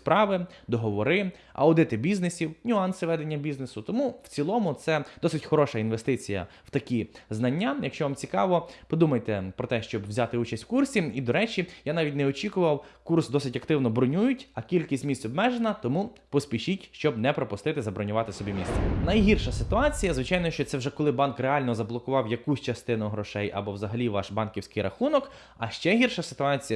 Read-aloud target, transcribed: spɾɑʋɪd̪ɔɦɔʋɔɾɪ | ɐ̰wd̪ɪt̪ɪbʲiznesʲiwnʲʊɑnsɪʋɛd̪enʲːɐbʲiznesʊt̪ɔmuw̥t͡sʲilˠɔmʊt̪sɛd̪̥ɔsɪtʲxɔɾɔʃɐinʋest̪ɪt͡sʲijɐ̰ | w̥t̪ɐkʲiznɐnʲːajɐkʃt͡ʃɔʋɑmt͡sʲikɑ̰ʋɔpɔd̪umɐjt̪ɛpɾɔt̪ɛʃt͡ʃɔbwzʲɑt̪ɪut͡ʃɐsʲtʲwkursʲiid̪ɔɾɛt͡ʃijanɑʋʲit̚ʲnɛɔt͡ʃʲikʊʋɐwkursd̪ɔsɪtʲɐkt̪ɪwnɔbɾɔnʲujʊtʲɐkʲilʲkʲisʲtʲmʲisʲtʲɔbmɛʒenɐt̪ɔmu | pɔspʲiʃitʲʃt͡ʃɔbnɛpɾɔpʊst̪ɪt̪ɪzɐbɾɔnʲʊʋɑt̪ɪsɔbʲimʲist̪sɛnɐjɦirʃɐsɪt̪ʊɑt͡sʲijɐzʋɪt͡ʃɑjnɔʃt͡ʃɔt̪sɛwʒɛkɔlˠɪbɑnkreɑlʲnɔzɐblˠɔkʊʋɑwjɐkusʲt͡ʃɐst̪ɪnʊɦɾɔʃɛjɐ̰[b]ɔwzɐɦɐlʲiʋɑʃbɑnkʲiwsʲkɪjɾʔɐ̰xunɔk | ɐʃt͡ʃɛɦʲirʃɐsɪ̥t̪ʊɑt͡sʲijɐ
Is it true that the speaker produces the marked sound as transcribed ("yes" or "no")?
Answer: yes